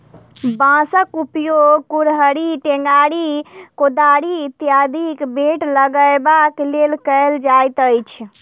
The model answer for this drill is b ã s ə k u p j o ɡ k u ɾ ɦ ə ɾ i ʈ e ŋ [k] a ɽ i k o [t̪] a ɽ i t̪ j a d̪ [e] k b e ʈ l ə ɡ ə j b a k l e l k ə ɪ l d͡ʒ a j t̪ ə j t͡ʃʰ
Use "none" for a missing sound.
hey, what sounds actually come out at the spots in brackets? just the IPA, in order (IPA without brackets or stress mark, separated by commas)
ɡ, d̪, i